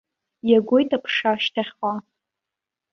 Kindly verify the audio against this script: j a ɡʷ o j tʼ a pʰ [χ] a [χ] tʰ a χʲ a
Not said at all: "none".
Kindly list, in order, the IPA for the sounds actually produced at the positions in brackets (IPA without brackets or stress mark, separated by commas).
ʂ, ʃ